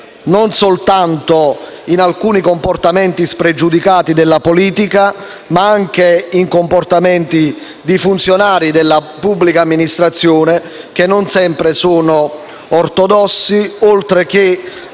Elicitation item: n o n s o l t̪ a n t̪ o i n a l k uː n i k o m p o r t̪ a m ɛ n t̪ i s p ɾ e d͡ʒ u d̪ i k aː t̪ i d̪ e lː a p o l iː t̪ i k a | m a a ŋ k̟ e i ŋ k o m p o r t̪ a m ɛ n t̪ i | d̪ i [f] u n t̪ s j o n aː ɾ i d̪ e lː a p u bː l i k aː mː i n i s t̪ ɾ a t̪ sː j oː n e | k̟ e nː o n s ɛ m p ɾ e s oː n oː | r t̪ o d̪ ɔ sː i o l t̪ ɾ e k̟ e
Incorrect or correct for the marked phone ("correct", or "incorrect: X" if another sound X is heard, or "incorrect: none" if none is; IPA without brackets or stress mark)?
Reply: correct